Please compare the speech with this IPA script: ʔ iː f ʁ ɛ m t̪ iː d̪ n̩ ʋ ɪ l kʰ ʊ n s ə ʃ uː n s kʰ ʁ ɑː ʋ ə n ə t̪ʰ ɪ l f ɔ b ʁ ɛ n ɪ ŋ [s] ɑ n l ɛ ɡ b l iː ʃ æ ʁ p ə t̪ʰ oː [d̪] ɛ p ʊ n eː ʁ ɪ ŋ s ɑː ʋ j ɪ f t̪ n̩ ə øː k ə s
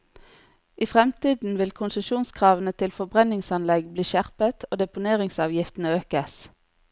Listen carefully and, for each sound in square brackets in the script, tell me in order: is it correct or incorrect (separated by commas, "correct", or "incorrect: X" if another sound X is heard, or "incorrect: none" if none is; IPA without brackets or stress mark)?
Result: correct, correct